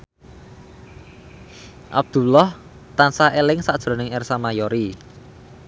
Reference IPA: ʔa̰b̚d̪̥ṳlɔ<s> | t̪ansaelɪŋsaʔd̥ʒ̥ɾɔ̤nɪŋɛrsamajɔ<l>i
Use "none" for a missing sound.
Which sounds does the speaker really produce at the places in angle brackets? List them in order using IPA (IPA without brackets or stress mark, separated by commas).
h, ɾ